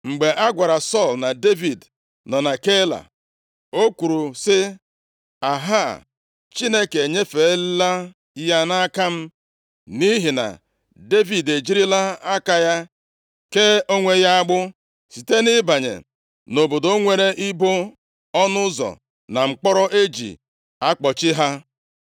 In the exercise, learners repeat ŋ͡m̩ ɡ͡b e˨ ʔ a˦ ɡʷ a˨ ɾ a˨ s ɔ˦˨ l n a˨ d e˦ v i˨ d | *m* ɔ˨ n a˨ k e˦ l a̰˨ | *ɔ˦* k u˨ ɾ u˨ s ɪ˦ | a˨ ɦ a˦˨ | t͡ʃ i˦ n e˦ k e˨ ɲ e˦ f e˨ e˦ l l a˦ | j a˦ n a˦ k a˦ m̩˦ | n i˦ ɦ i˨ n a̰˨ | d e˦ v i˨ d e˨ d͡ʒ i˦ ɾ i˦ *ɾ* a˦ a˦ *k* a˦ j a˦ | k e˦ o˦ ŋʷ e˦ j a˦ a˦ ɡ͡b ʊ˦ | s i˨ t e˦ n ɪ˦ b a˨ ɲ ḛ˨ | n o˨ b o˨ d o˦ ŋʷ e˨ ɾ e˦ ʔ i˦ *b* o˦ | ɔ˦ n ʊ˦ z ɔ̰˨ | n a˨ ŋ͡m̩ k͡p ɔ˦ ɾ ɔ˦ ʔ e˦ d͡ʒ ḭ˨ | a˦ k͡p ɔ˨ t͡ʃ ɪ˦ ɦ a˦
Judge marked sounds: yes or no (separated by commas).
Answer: no, no, no, yes, yes